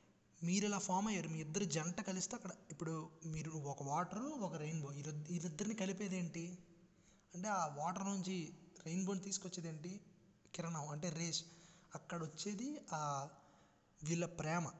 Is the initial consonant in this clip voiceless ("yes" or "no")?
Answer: no